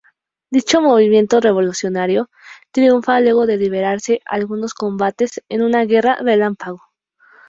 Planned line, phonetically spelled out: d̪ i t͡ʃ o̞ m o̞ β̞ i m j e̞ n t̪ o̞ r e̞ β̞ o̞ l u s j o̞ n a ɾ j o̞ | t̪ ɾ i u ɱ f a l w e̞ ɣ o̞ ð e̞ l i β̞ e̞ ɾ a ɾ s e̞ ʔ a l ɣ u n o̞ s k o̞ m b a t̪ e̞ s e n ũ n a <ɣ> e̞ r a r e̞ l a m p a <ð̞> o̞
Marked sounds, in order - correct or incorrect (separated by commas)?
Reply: correct, incorrect